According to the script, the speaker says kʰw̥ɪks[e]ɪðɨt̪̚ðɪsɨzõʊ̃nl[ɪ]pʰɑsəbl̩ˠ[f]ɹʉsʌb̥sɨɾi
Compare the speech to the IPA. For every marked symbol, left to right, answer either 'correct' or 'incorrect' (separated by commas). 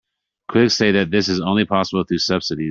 correct, incorrect, incorrect